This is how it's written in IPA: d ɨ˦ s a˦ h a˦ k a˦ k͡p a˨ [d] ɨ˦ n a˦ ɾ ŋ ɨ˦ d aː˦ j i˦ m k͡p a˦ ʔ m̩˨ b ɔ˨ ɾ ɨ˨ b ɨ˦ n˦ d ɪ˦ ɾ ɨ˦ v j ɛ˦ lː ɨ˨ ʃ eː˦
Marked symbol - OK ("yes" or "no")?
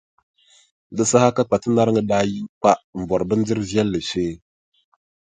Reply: no